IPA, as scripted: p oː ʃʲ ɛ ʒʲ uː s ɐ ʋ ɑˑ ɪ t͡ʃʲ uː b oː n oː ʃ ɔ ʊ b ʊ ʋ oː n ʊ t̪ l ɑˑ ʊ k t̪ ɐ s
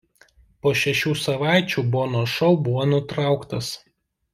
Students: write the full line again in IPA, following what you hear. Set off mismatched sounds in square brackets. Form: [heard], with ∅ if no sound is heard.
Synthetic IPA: p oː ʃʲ ɛ [ʃʲ] uː s ɐ ʋ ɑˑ ɪ t͡ʃʲ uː b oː n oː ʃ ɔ ʊ b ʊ ʋ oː n ʊ t̪ [ɾ] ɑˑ ʊ k t̪ ɐ s